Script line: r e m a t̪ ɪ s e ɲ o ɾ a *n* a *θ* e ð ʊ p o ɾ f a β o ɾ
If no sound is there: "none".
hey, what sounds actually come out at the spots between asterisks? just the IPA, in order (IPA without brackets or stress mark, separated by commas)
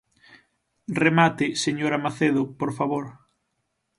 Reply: m, θ